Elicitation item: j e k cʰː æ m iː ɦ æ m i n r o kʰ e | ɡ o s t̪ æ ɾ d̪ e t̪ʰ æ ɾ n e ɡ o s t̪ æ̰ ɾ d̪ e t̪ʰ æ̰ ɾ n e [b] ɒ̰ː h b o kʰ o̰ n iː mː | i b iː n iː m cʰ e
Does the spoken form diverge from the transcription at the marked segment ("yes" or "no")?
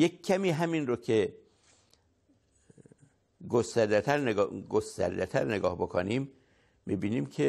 yes